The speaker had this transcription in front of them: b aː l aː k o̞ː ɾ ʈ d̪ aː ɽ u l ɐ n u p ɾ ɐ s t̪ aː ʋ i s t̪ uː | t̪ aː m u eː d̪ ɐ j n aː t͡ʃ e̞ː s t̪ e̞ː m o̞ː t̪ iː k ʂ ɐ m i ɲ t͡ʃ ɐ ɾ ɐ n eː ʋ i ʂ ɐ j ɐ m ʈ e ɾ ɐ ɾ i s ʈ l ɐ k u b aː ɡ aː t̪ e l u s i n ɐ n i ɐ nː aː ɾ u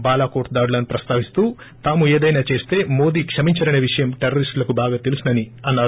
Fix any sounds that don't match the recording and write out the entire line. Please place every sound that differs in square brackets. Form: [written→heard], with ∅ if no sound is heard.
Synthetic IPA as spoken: b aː l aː k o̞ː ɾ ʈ d̪ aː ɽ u l ɐ n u p ɾ ɐ s t̪ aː ʋ i s t̪ uː | t̪ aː m u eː d̪ ɐ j n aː t͡ʃ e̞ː s t̪ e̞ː m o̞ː [t̪→d̪] iː k ʂ ɐ m i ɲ t͡ʃ ɐ ɾ ɐ n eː ʋ i ʂ ɐ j ɐ m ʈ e ɾ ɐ ɾ i s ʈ l ɐ k u b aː ɡ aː t̪ e l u s i n ɐ n i ɐ nː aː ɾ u